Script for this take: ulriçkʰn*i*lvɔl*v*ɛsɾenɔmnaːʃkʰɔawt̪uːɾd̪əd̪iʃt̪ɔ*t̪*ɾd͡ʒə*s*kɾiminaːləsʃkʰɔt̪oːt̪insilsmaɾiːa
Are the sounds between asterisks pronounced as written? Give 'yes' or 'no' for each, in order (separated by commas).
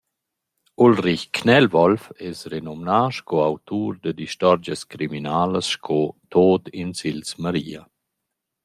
no, no, no, yes